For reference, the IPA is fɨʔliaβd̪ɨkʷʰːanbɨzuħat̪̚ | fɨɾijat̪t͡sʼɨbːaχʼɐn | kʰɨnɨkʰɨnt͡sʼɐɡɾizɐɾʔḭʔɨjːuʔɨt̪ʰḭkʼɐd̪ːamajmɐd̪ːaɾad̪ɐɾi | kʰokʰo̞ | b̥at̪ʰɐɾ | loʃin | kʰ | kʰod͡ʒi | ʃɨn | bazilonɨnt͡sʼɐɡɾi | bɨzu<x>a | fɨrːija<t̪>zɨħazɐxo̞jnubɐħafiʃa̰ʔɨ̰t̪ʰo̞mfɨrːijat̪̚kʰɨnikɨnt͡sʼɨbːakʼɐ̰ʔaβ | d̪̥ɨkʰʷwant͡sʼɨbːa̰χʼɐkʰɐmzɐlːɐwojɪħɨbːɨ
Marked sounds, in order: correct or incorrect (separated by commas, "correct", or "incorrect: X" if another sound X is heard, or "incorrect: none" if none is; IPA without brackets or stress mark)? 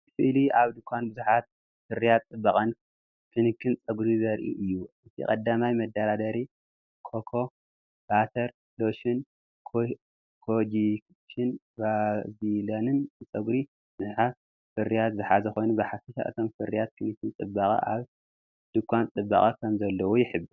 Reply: incorrect: ħ, correct